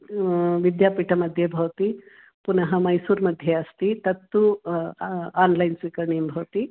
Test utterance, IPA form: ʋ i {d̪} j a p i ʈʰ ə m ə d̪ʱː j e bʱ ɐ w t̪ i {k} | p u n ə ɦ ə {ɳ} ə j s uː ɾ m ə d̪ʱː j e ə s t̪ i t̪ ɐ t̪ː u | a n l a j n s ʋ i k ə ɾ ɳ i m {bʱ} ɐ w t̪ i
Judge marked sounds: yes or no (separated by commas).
yes, no, no, yes